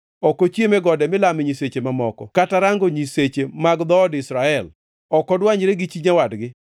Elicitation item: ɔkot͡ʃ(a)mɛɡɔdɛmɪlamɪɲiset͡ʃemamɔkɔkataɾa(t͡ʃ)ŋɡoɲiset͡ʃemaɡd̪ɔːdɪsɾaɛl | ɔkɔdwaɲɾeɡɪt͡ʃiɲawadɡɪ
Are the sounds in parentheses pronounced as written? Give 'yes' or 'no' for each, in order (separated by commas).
no, no